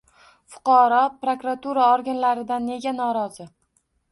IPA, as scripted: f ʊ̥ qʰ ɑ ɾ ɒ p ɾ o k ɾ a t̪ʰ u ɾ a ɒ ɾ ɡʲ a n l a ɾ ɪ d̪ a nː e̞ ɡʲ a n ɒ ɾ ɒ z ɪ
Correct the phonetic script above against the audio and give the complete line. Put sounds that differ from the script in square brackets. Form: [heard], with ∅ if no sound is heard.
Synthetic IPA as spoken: f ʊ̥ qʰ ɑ ɾ ɒ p ɾ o k ɾ a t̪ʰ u ɾ a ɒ ɾ ɡʲ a n l a ɾ ɪ d̪ a nː e̞ ɡʲ a n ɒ ɾ ɒ z ɪ